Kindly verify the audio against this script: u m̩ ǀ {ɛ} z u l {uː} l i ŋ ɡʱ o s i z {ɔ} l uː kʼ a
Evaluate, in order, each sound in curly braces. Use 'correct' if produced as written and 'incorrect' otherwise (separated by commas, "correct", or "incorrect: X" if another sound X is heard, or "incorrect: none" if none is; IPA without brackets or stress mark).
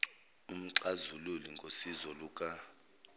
incorrect: a, incorrect: u, correct